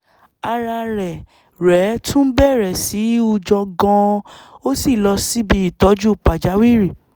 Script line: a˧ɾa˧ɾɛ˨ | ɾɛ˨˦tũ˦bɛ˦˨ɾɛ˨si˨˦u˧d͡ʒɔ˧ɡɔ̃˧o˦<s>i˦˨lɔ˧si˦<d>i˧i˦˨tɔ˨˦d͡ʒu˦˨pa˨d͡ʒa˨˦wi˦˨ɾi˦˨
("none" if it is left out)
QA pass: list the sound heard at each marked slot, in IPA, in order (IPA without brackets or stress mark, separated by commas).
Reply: s, b